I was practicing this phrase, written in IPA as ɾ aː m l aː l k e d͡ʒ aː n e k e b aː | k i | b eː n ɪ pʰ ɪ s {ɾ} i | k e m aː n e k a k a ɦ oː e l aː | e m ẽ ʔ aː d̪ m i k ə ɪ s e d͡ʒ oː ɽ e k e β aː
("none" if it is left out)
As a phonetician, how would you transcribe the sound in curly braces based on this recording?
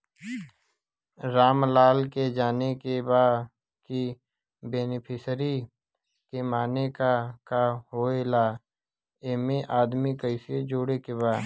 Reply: ɾ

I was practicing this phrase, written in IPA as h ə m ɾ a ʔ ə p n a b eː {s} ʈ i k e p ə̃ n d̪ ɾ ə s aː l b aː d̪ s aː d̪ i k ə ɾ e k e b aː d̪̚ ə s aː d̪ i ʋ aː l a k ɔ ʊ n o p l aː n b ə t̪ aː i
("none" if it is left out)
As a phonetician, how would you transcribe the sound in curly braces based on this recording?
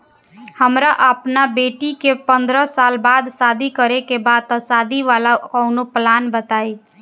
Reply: none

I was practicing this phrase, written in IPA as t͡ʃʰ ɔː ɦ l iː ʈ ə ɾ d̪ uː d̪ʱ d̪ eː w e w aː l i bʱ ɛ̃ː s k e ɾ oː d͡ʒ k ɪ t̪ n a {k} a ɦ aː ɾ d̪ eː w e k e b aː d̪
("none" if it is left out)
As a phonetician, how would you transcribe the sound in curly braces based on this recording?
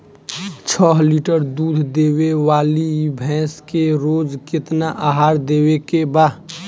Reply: ʔ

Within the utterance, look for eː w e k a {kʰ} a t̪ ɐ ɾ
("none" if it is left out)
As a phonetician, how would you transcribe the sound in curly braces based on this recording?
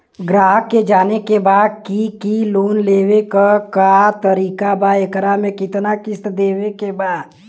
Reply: k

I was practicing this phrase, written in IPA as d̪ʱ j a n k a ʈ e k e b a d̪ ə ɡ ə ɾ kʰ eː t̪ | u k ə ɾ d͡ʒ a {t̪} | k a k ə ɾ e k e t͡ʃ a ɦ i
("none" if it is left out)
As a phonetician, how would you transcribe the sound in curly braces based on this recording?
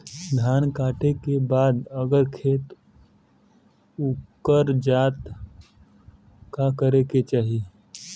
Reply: t̪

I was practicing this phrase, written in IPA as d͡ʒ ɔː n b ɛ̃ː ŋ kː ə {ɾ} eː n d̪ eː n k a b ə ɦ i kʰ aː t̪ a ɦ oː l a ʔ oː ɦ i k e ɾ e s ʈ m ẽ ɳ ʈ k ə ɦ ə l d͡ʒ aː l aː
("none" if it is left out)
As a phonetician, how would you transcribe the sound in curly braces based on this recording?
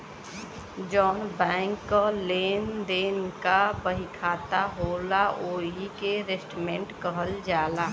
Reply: l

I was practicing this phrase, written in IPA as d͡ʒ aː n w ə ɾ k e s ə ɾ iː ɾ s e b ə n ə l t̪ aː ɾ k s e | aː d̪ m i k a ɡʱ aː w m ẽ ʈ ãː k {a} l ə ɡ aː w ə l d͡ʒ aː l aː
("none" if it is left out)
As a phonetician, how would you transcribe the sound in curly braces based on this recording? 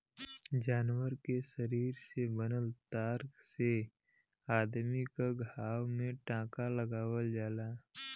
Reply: a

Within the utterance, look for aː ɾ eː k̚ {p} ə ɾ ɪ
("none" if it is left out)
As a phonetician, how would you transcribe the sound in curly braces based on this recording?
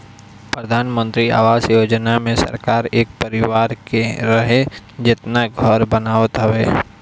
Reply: p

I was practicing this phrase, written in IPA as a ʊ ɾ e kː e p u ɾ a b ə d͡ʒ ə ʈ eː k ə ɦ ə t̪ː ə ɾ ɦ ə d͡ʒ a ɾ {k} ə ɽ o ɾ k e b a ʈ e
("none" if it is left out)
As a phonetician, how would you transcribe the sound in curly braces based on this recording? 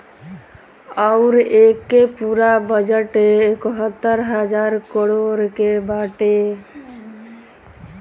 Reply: k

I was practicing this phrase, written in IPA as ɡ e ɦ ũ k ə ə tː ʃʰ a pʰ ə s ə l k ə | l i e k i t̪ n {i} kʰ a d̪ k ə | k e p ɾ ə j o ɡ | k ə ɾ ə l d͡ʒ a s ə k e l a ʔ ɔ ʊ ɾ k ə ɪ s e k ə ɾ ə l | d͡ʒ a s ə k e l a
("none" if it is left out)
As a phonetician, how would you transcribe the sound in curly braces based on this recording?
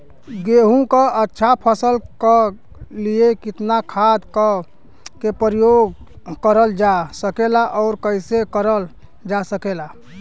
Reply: a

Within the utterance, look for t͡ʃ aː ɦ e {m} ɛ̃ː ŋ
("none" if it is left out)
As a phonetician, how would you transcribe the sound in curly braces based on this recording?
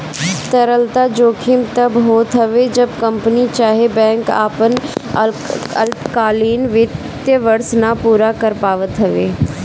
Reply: b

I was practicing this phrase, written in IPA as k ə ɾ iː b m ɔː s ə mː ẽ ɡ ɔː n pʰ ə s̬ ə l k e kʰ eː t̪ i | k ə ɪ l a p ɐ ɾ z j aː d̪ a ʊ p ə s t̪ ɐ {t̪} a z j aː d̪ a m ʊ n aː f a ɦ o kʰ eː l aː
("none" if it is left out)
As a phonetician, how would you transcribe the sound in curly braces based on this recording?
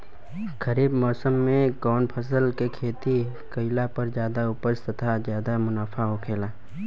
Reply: t̪ʰ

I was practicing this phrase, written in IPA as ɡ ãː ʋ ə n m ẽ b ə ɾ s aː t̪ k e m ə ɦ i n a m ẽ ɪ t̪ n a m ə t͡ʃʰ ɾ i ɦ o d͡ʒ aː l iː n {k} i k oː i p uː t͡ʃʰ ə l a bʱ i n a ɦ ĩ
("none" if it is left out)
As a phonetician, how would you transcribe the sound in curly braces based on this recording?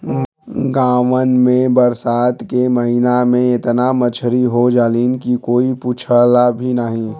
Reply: k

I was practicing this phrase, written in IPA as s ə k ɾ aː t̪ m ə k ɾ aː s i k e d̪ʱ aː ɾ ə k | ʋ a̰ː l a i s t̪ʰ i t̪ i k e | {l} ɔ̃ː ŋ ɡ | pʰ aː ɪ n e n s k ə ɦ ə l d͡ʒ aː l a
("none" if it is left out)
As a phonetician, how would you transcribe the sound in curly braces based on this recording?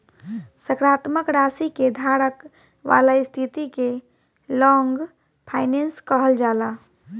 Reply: l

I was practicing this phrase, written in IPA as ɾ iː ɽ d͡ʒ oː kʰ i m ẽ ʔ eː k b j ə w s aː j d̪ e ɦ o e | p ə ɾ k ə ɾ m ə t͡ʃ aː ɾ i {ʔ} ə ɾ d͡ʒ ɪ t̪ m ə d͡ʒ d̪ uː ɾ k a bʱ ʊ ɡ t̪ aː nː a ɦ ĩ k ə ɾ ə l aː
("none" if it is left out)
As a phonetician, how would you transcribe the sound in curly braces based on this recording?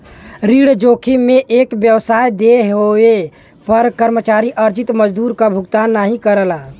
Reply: ʔ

